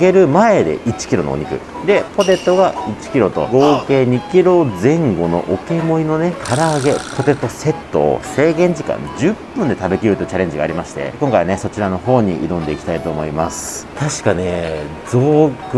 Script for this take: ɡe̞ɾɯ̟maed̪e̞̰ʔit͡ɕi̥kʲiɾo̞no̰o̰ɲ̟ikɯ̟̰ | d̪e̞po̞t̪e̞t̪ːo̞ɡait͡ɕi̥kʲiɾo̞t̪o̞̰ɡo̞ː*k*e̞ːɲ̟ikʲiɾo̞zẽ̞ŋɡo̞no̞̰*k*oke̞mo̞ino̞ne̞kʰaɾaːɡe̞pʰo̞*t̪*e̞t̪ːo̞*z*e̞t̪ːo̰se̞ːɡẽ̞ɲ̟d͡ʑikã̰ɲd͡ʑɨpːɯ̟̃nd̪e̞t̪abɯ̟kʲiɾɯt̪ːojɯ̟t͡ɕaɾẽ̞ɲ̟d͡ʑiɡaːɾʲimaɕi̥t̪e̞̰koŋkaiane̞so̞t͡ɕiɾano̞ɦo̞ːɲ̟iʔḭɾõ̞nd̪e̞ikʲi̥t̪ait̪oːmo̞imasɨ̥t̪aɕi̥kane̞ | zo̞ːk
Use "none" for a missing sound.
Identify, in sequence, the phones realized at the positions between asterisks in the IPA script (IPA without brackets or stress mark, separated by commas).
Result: k, ʔ, t̪, s